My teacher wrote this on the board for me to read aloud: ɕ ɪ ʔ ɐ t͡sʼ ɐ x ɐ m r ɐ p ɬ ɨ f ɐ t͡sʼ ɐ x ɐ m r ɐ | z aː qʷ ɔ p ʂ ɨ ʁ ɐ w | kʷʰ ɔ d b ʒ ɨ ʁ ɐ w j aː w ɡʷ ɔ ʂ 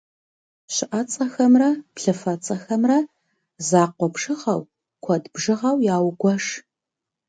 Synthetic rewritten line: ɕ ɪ ʔ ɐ t͡sʼ ɐ x ɐ m r ɐ p ɬ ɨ f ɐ t͡sʼ ɐ x ɐ m r ɐ | z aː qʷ ɔ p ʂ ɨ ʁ ɐ w | kʷʰ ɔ d b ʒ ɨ ʁ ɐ w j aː w ɡʷ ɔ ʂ